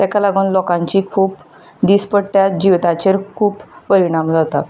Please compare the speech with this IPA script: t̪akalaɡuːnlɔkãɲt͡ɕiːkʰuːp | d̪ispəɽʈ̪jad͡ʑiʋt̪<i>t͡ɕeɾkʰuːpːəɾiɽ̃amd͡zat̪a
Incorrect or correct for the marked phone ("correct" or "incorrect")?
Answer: incorrect